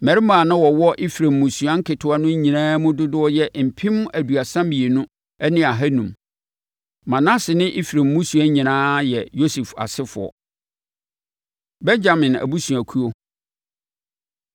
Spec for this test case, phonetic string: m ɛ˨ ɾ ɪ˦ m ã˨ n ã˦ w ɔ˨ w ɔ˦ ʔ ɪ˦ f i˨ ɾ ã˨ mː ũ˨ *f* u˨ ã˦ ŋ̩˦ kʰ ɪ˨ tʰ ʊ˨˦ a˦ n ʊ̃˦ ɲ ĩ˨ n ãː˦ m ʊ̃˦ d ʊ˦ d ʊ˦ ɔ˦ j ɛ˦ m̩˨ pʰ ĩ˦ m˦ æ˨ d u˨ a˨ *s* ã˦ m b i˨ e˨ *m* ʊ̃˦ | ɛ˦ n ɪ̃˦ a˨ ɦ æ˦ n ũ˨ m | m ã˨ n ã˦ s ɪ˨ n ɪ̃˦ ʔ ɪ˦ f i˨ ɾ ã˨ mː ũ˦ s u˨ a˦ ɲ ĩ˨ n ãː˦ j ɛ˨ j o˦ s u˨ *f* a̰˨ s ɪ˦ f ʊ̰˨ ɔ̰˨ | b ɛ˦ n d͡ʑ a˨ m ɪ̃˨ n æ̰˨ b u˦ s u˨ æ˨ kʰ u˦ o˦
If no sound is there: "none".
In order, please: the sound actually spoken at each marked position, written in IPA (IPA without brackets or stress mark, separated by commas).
s, s, n, f